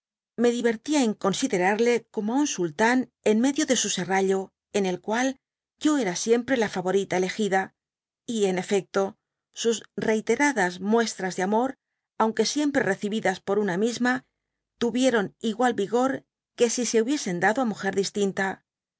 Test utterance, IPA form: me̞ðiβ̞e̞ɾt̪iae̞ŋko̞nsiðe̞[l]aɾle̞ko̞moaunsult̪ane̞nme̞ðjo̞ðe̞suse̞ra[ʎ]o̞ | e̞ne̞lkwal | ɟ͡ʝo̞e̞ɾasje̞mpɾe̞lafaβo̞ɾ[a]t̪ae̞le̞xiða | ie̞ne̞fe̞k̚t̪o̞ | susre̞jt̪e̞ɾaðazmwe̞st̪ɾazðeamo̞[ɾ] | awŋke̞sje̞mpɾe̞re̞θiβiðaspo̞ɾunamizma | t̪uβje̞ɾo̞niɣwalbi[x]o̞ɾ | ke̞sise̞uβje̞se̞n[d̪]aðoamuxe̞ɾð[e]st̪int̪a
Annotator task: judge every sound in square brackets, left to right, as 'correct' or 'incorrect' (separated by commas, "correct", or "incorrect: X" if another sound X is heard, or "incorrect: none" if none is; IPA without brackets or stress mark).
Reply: incorrect: ɾ, correct, incorrect: i, correct, incorrect: ɣ, correct, incorrect: i